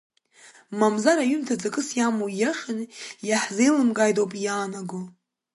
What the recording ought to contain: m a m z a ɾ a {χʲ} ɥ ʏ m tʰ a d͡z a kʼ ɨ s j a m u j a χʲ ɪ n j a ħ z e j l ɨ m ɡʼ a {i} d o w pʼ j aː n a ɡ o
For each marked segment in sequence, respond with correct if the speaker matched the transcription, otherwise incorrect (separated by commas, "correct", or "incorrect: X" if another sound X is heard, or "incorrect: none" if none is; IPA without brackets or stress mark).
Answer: incorrect: none, incorrect: j